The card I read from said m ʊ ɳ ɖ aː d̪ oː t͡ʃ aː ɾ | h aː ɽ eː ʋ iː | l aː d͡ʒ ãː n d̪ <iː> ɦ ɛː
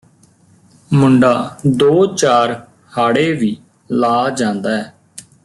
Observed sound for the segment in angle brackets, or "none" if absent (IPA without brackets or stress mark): aː